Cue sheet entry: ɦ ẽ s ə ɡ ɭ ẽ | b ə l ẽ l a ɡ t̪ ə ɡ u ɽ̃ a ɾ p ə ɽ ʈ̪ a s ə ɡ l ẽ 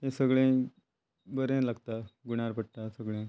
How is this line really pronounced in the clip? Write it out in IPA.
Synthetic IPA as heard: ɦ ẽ s ə ɡ ɭ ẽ | b ə ɾ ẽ l a ɡ t̪ a ɡ u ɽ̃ a ɾ p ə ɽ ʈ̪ a s ə ɡ ɭ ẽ

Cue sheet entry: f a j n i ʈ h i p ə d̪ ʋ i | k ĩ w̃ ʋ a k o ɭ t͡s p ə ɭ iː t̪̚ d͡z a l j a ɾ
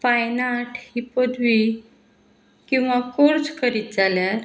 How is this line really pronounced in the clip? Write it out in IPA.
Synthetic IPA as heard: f a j n a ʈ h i p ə d̪ ʋ i | k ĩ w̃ ʋ a k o ɾ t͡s k ə ɾ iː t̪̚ d͡z a l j a ɾ

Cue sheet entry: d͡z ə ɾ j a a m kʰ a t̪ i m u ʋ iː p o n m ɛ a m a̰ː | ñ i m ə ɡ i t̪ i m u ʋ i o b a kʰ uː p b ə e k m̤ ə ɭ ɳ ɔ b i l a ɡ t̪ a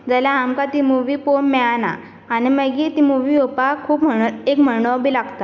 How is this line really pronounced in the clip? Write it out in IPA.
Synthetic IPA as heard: d͡z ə l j a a m k a t̪ i m u ʋ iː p o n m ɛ a n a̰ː | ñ i m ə ɡ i t̪ i m u ʋ i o p a kʰ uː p m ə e k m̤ ə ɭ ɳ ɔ b i l a ɡ t̪ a

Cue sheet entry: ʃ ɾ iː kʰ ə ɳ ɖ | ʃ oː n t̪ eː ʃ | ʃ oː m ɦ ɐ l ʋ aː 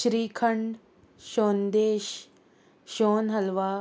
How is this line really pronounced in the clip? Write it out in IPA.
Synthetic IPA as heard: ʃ ɾ iː kʰ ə ɳ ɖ | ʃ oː n d̪ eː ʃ | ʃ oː n ɦ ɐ l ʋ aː

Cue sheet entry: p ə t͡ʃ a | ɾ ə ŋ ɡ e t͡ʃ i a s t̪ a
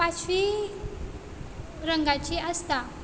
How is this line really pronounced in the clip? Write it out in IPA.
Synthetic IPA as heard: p a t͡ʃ i | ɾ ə ŋ ɡ a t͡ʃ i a s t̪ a

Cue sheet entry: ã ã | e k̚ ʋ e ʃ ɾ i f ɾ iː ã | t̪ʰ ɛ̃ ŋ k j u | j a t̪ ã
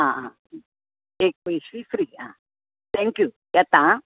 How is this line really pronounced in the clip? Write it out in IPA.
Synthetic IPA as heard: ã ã | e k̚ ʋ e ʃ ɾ i f ɾ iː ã | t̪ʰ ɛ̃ ŋ k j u | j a t̪ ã

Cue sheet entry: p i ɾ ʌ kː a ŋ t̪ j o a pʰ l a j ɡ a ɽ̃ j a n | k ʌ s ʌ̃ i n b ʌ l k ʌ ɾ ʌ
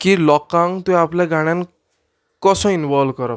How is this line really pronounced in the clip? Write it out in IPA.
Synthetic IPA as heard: k i l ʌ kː a ŋ t̪ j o a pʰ l a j ɡ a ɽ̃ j a n | k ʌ s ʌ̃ i n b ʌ l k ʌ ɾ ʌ

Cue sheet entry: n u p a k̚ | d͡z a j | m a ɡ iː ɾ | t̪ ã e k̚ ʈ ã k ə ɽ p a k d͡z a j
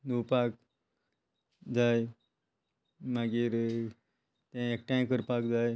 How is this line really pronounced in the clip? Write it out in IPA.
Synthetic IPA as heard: n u p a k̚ | d͡z a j | m a ɡ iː ɾ | t̪ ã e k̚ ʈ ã k ə ɾ p a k d͡z a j

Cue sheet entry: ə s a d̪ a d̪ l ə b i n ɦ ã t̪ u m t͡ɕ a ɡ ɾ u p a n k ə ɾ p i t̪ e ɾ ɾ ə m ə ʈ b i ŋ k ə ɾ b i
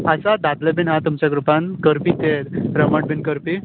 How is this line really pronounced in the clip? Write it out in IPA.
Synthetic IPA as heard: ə s a d̪ a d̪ l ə b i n ɦ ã t̪ u m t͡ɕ a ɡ ɾ u p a n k ə ɾ p i t̪ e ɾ ɾ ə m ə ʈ b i n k ə ɾ p i

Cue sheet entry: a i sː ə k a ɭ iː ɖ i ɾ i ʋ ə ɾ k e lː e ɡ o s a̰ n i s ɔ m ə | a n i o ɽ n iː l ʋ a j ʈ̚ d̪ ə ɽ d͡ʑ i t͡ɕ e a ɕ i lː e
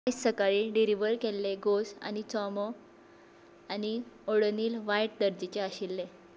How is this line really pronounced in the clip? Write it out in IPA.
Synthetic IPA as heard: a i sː ə k a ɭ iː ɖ i ɾ i ʋ ə ɾ k e lː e ɡ o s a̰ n i t͡s ɔ m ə | a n i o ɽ n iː l ʋ a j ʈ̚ d̪ ə ɾ d͡ʑ i t͡ɕ e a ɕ i lː e

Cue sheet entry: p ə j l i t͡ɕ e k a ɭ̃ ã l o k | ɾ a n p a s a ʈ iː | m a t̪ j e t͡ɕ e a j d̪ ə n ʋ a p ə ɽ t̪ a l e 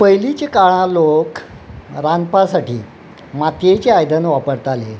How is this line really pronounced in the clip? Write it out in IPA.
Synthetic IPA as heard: p ə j l i t͡ɕ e k a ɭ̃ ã l o k | ɾ a n p a s a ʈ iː | m a t̪ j e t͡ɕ e a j d̪ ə n ʋ a p ə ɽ t̪ a l e

